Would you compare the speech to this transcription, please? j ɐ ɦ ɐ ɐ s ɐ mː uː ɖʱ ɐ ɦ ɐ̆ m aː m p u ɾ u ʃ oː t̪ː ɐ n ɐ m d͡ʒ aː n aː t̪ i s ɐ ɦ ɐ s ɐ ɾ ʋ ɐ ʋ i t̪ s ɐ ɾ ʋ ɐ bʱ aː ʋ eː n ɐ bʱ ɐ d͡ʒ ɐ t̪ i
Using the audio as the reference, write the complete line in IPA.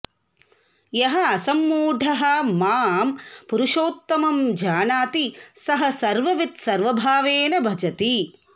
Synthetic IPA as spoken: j ɐ ɦ ɐ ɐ s ɐ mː uː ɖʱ ɐ ɦ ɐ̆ m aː m p u ɾ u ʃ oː t̪ː ɐ m ɐ m d͡ʒ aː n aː t̪ i s ɐ ɦ ɐ s ɐ ɾ ʋ ɐ ʋ i t̪ s ɐ ɾ ʋ ɐ bʱ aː ʋ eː n ɐ bʱ ɐ d͡ʒ ɐ t̪ i